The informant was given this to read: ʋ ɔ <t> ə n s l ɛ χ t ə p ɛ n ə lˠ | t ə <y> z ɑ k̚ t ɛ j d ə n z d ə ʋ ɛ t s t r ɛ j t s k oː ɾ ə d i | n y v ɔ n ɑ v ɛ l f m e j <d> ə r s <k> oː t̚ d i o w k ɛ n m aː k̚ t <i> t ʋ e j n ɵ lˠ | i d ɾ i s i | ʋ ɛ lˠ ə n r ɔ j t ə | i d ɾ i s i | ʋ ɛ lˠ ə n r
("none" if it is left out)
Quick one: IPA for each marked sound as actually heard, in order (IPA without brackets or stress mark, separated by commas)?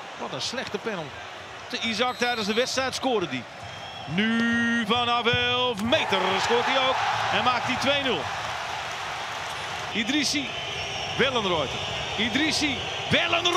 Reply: t, i, t, k, i